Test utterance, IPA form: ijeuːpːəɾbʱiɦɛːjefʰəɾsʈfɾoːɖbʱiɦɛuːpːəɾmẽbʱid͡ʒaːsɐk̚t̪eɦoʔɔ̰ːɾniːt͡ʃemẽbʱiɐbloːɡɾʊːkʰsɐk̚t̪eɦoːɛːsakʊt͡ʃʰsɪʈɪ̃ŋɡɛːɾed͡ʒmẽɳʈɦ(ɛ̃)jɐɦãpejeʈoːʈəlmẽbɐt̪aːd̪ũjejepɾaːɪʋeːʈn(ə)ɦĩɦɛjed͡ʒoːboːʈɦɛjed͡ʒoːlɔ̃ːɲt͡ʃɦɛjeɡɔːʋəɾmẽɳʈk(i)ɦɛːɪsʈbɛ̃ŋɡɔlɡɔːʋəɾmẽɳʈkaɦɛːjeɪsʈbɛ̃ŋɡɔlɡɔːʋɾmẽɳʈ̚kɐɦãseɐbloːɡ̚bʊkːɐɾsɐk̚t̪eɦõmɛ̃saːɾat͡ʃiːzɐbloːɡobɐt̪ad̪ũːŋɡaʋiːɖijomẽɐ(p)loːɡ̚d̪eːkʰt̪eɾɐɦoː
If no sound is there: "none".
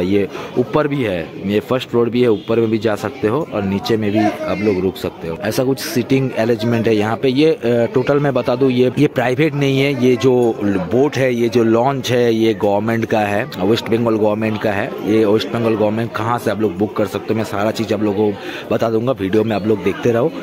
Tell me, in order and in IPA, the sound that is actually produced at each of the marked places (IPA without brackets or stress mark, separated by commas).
ɛ, ɐ, a, b